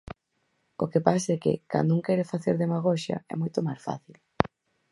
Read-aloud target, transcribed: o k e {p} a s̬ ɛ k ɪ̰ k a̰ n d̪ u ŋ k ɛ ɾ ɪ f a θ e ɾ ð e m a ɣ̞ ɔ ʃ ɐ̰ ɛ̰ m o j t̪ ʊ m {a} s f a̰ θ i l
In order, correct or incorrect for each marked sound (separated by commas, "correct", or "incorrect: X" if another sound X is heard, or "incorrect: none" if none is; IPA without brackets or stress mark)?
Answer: correct, correct